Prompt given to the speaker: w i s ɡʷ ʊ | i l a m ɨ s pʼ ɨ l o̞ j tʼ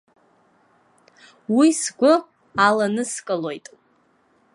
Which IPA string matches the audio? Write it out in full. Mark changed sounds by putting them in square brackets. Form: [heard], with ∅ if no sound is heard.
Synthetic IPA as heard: w i s ɡʷ ʊ | [a] l a [n] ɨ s [kʼ] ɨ l o̞ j tʼ